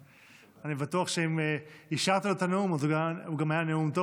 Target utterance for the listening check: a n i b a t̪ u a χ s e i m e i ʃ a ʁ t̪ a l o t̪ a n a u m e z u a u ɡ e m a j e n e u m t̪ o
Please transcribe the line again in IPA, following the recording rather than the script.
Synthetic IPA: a n i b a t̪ u a χ ʃ e i m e i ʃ a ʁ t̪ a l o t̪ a n e u m a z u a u ɡ a m a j a n e u m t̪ o